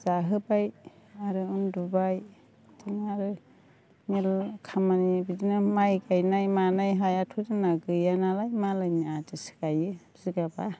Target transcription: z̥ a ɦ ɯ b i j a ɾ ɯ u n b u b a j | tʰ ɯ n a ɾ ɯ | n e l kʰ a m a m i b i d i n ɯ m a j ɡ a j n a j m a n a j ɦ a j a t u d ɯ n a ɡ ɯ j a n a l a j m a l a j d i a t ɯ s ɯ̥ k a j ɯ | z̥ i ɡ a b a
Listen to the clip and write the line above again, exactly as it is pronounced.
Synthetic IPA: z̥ a ɦ ɯ b a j a ɾ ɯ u n d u b a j | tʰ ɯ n a ɾ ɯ | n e l kʰ a m a n i b i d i n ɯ m a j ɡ a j n a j m a n a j ɦ a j a tʰ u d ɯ n a ɡ ɯ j a n a l a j m a l a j n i a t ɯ s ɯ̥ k a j ɯ | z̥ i ɡ a b a